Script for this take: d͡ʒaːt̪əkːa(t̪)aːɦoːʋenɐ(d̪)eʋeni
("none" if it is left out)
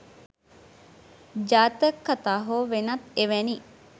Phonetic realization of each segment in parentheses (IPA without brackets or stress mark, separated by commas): t̪, t̪